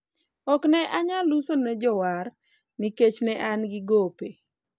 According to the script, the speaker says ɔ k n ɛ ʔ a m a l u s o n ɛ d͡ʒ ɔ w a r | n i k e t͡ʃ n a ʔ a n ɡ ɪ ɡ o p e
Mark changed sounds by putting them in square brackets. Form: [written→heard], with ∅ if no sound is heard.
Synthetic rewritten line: ɔ k n ɛ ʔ a [m→ɲ] a l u s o n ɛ d͡ʒ ɔ w a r | n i k e t͡ʃ n [a→ɛ] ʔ a n ɡ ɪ ɡ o p e